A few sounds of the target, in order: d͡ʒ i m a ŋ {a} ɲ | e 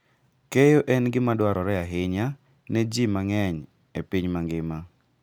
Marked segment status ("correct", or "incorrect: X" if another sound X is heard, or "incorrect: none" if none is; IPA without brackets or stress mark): incorrect: ɛ